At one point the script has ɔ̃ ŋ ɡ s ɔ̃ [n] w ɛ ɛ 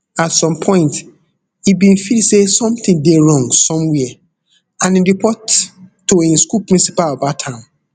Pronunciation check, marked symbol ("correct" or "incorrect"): incorrect